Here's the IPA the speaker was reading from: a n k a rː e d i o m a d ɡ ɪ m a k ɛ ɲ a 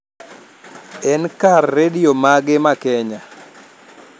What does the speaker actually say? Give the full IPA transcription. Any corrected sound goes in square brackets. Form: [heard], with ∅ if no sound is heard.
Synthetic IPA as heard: [ɛ] n k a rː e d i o m a [∅] ɡ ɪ m a k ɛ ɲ a